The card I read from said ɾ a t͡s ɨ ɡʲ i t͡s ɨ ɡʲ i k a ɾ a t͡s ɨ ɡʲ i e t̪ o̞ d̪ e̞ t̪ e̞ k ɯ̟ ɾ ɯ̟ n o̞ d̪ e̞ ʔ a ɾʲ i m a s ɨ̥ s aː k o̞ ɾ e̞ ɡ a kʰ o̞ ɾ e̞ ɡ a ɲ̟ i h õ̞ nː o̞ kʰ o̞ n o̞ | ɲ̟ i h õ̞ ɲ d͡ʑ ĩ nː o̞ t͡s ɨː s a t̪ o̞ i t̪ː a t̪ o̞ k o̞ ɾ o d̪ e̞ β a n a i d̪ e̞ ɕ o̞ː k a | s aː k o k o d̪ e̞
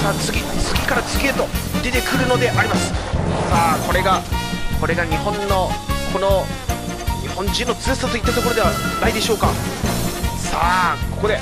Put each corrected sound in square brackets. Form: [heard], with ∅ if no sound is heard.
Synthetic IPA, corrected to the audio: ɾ a t͡s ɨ ɡʲ i t͡s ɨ ɡʲ i k a ɾ a t͡s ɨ ɡʲ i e t̪ o̞ d̪ e̞ t̪ e̞ k ɯ̟ ɾ ɯ̟ n o̞ d̪ e̞ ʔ a ɾʲ i m a s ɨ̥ s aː k o̞ ɾ e̞ ɡ a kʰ o̞ ɾ e̞ ɡ a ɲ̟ i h õ̞ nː o̞ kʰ o̞ n o̞ | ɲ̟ i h õ̞ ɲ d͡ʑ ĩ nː o̞ t͡s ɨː s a t̪ o̞ i t̪ː a t̪ o̞ k o̞ ɾ o d̪ e̞ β a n a i d̪ e̞ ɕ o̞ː k a | s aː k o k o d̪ e̞